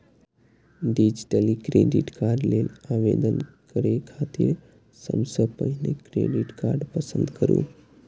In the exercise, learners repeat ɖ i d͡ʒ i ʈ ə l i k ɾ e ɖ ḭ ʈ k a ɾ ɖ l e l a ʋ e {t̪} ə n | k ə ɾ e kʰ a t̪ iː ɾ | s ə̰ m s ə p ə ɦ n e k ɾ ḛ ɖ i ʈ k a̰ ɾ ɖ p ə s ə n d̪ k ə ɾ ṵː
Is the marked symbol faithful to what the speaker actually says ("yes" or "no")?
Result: no